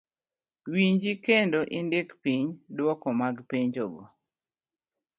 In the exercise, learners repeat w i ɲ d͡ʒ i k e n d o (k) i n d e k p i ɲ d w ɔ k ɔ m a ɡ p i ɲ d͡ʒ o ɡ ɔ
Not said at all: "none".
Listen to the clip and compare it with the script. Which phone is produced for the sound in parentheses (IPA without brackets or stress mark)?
ʔ